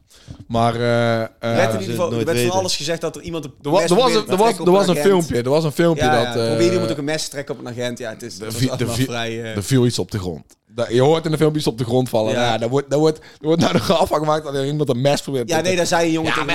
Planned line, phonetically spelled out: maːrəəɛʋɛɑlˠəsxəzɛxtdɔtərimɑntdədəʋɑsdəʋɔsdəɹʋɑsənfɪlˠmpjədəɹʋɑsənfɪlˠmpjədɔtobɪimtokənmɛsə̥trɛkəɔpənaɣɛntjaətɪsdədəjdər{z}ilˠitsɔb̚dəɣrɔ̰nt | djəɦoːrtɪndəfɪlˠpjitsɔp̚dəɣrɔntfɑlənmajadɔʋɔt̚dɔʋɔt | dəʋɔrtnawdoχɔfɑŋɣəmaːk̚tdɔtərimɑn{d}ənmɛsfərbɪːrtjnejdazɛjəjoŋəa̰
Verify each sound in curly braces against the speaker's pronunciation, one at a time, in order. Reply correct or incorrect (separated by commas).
incorrect, incorrect